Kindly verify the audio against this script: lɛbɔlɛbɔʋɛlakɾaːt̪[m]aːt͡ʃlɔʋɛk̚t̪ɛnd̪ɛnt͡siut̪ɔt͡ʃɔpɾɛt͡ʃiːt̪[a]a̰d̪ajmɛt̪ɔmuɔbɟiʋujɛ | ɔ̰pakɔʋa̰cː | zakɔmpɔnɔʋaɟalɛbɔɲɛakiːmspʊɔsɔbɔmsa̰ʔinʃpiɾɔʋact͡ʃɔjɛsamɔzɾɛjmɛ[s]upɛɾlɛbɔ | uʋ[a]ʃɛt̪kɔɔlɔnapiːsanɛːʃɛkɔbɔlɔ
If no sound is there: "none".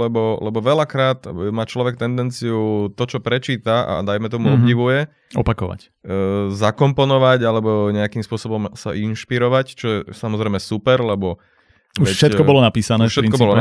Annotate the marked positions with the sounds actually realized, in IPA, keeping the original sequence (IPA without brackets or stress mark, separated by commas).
m, a, s, ɛ